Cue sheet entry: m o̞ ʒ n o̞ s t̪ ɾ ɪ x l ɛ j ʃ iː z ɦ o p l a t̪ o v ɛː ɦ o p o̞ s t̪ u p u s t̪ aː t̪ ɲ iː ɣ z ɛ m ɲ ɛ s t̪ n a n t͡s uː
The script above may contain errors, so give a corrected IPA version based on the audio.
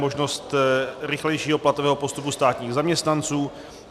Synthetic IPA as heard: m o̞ ʒ n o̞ s t̪ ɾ ɪ x l ɛ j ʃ iː ɦ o p l a t̪ o v ɛː ɦ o p o̞ s t̪ u p u s t̪ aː t̪ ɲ iː ɣ z a m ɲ ɛ s t̪ n a n t͡s uː

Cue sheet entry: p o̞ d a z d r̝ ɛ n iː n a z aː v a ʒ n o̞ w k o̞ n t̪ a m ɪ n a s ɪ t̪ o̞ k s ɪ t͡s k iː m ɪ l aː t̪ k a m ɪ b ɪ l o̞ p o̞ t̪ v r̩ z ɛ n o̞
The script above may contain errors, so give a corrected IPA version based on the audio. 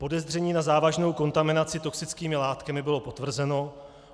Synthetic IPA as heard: p o̞ d ɛ z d r̝ ɛ ɲ iː n a z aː v a ʒ n o̞ w k o̞ n t̪ a m ɪ n a t͡s ɪ t̪ o̞ k s ɪ t͡s k iː m ɪ l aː t̪ k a m ɪ b ɪ l o̞ p o̞ t̪ v r̩ z ɛ n o̞

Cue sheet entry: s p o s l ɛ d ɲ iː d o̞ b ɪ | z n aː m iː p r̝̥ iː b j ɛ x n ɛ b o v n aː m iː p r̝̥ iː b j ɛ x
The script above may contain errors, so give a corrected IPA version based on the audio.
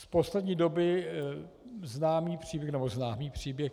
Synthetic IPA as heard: s p o s l ɛ d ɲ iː d o̞ b ɪ | z n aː m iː p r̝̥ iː b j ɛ x n ɛ b o z n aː m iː p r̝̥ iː b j ɛ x

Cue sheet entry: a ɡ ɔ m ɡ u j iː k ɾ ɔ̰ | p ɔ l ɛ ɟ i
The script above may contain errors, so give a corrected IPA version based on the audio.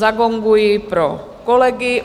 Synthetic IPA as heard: a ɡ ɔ ŋ ɡ u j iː p ɾ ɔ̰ | k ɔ l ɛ ɡ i

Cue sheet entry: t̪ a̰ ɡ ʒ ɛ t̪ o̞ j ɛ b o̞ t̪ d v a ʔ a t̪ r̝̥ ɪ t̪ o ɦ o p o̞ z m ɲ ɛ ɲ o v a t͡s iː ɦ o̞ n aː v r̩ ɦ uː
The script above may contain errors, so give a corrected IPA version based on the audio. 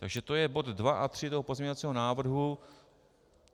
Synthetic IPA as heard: t̪ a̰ ɡ ʒ ɛ t̪ o̞ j ɛ b o̞ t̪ d v a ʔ a t̪ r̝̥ ɪ t̪ o ɦ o p o̞ z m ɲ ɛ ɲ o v a t͡s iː ɦ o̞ n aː v r̩ ɦ u

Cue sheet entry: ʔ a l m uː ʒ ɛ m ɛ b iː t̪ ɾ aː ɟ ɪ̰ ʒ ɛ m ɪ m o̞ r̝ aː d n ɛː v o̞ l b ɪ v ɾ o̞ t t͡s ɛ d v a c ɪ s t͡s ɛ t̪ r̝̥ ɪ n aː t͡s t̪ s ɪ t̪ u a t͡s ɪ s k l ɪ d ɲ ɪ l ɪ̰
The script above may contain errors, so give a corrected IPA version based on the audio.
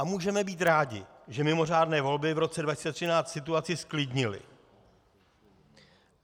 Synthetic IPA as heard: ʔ a m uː ʒ ɛ m ɛ b iː t̪ ɾ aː ɟ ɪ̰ ʒ ɛ m ɪ m o̞ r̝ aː d n ɛː v o̞ l b ɪ v ɾ o̞ t t͡s ɛ d v a c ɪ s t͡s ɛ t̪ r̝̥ ɪ n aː t͡s t̪ s ɪ t̪ u a t͡s ɪ s k l ɪ d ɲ ɪ l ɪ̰

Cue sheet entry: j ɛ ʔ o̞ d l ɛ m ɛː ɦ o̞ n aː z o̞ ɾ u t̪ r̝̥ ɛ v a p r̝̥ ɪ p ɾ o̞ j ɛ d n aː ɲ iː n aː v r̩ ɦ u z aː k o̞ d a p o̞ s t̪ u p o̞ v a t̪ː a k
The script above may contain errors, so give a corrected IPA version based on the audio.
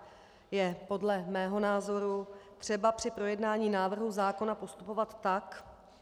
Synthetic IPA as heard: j ɛ p o̞ d l ɛ m ɛː ɦ o̞ n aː z o̞ ɾ u t̪ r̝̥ ɛ b a p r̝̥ ɪ p ɾ o̞ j ɛ d n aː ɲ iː n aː v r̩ ɦ u z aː k o̞ n a p o̞ s t̪ u p o̞ v a t̪ː a k

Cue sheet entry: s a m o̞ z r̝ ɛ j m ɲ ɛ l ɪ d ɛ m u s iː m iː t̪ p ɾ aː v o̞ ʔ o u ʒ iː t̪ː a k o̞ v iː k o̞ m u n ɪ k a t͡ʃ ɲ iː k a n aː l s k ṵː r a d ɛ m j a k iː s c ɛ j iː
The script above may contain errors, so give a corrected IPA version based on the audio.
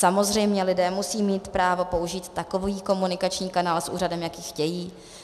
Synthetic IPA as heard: s a m o̞ z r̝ ɛ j m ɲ ɛ l ɪ d ɛː m u s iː m iː t̪ p ɾ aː v o̞ p o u ʒ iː t̪ː a k o̞ v iː k o̞ m u n ɪ k a t͡ʃ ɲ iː k a n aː l s ʔ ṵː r a d ɛ m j a k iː x c ɛ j iː

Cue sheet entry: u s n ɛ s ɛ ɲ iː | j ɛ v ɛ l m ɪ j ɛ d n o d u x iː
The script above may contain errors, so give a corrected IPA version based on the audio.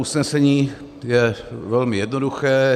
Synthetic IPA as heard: u s n ɛ s ɛ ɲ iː | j ɛ v ɛ l m ɪ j ɛ d n o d u x ɛː

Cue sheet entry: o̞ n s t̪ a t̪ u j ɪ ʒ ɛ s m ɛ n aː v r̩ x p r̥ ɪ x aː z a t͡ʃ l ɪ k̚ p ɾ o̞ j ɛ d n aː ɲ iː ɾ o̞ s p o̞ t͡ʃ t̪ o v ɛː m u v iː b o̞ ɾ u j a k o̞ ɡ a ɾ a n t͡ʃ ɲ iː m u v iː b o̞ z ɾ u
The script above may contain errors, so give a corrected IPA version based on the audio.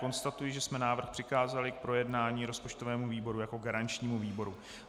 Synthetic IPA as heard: o̞ n s t̪ a t̪ u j ɪ ʒ ɛ s m ɛ n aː v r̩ x p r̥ ɪ x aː z a l ɪ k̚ p ɾ o̞ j ɛ d n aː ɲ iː ɾ o̞ s p o̞ t͡ʃ t̪ o v ɛː m u v iː b o̞ ɾ u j a k o̞ ɡ a ɾ a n t͡ʃ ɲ iː m u v iː b o̞ ɾ u

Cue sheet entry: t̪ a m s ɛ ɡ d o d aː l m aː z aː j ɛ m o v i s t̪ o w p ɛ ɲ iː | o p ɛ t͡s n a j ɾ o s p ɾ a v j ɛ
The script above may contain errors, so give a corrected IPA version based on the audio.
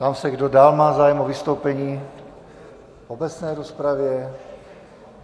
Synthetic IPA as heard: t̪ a m s ɛ ɡ d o d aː l m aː z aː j ɛ m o v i s t̪ o w p ɛ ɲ iː | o b ɛ t͡s n ɛ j ɾ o s p ɾ a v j ɛ

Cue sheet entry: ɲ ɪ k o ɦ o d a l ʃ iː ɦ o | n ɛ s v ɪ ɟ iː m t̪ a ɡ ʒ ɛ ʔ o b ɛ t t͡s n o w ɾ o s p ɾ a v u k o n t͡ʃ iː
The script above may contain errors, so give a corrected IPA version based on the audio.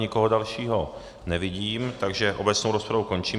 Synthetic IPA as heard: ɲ ɪ k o ɦ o d a l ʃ iː ɦ o | n ɛ v ɪ ɟ iː m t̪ a ɡ ʒ ɛ ʔ o b ɛ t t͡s n o w ɾ o s p ɾ a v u k o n t͡ʃ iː

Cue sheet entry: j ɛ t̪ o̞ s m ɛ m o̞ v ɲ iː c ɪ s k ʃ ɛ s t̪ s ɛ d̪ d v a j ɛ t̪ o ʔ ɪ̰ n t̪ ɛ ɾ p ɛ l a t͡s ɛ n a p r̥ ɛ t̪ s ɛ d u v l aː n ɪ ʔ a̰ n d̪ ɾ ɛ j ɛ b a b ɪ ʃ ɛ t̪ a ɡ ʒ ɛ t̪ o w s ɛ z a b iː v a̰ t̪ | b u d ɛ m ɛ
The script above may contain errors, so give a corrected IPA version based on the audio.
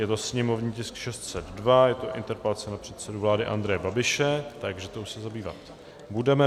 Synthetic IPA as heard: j ɛ t̪ o̞ s ɲ ɛ m o̞ v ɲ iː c ɪ s k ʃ ɛ s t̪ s ɛ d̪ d v a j ɛ t̪ o ʔ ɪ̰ n t̪ ɛ ɾ p ɛ l a t͡s ɛ n a p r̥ ɛ t̪ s ɛ d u v l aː d ɪ ʔ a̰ n d̪ ɾ ɛ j ɛ b a b ɪ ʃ ɛ t̪ a ɡ ʒ ɛ t̪ o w s ɛ z a b iː v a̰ t̪ | b u d ɛ m ɛ

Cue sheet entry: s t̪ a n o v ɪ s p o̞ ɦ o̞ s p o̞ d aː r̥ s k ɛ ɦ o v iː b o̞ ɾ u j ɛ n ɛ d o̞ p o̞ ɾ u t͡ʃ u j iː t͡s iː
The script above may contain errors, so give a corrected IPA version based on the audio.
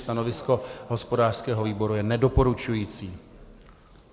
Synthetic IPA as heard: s t̪ a n o v ɪ s k o̞ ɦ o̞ s p o̞ d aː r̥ s k ɛː ɦ o v iː b o̞ ɾ u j ɛ n ɛ d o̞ p o̞ ɾ u t͡ʃ u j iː t͡s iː

